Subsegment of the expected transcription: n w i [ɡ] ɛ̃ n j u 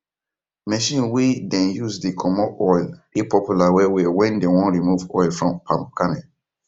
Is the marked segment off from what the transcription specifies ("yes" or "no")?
yes